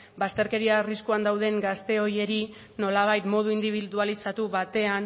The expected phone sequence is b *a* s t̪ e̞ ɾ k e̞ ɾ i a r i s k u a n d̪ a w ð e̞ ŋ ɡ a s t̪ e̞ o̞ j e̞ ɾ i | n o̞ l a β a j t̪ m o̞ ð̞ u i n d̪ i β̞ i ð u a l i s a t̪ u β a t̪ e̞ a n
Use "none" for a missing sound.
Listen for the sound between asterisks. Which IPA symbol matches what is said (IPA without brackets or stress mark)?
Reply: a